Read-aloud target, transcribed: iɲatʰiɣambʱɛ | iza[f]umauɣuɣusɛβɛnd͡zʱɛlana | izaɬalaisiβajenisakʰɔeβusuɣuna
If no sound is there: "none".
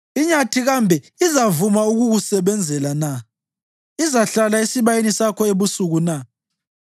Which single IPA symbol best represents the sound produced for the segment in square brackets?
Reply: v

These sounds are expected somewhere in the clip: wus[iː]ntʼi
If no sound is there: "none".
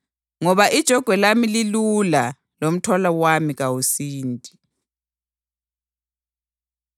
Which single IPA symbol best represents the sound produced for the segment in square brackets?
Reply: iː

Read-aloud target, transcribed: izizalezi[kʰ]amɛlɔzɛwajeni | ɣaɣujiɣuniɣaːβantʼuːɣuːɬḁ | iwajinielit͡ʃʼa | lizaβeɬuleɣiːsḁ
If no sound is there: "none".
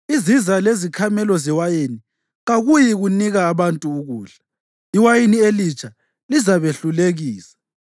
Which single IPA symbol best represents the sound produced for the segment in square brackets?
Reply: kʰ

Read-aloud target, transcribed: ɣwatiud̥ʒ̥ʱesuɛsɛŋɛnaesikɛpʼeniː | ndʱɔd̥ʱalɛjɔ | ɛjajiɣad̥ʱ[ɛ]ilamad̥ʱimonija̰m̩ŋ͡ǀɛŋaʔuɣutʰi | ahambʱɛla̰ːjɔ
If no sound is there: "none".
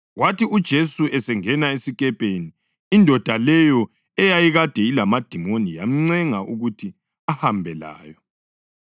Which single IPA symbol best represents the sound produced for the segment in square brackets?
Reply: ɛ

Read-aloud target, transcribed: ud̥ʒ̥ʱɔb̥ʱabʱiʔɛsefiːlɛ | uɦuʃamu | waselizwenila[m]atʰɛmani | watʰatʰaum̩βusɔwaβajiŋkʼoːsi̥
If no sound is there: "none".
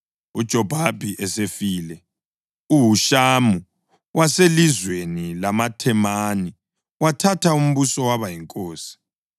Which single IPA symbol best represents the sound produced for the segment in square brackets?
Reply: m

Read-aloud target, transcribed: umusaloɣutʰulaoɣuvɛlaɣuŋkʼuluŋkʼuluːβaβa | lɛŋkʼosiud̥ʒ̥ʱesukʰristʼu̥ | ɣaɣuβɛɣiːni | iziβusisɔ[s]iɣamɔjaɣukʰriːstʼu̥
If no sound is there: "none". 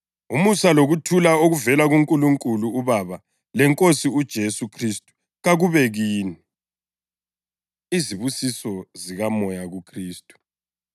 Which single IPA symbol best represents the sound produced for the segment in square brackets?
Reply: z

